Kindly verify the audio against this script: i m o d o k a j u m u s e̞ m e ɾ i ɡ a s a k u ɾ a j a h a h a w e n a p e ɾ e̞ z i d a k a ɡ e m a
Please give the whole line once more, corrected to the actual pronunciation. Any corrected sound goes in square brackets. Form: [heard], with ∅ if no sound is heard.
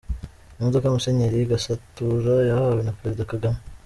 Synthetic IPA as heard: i m o d o k a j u m u s e̞ [ɲ] e ɾ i ɡ a s a [t] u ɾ a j a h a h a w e n a p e ɾ e̞ z i d a k a ɡ [a] m [e]